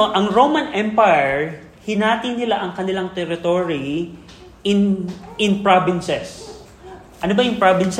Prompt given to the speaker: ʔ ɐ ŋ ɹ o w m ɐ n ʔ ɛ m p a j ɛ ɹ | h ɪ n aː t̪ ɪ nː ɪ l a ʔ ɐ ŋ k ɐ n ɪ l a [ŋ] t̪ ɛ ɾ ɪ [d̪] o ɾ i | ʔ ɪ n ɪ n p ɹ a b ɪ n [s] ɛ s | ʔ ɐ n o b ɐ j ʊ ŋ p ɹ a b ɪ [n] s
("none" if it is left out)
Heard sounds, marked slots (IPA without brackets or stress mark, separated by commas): ŋ, t̪, s, n